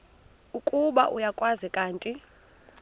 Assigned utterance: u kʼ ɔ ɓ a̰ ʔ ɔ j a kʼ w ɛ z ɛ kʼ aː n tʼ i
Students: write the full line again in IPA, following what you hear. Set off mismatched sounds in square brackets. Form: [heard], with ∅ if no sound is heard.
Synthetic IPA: u kʼ [u] ɓ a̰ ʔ [u] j a kʼ w [a] z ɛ kʼ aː n tʼ i

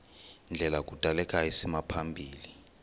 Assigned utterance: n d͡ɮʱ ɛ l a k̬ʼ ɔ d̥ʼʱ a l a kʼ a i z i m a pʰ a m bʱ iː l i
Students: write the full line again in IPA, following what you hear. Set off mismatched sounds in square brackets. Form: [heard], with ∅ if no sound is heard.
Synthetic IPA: n d͡ɮʱ ɛ l a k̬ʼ [u] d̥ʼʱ a l [ɛ] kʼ a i [s] i m a pʰ a m bʱ iː l i

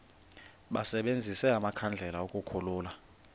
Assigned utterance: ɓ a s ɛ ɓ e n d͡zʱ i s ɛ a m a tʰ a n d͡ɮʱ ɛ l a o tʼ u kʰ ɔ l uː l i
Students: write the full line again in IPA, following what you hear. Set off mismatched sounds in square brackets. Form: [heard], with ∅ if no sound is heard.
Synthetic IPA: ɓ a s ɛ ɓ e n d͡zʱ i s ɛ a m a [kʰ] a n d͡ɮʱ ɛ l a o [kʼ] u kʰ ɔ l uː l [a]

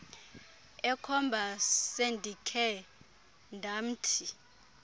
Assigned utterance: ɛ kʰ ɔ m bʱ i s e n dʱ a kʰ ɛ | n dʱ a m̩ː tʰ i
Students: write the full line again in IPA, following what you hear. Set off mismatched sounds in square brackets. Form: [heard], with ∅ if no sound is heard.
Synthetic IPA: ɛ kʰ ɔ m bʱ [a] s e n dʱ [i] kʰ ɛ | n dʱ a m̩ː tʰ i

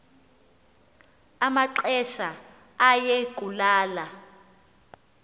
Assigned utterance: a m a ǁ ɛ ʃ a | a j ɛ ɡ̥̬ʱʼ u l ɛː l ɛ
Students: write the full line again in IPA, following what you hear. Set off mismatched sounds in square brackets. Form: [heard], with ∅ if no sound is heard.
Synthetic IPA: a m a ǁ ɛ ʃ a | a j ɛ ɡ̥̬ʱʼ u l [aː] l [a]

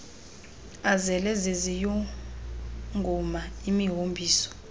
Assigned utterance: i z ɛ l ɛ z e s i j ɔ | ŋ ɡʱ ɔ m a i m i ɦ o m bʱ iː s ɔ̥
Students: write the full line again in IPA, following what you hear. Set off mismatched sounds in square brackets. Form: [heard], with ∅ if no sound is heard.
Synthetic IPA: [a] z ɛ l ɛ z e [z] i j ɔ | ŋ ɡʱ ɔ m a i m i ɦ o m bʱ iː s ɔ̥

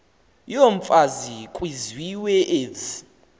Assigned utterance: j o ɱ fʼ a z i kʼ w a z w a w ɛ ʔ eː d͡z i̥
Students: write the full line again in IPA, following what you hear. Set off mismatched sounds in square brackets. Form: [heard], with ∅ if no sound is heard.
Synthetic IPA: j o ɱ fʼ a z i kʼ w [i] z w [i] w ɛ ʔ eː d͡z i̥

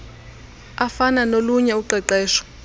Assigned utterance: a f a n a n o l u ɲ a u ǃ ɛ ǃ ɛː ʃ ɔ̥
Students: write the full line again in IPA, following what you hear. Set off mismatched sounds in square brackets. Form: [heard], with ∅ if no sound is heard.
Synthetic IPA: a f a n a n o l u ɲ [ɛ] u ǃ ɛ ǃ ɛː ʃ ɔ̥

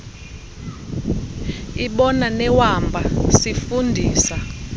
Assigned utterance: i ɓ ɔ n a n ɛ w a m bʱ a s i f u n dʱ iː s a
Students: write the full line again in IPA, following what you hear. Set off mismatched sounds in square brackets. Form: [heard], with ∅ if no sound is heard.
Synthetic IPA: i ɓ ɔ n a n ɛ w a m bʱ a s i f u n dʱ iː s a

